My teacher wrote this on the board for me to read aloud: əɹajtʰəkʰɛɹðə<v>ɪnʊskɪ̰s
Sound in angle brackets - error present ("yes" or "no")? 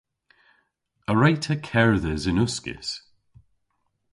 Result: yes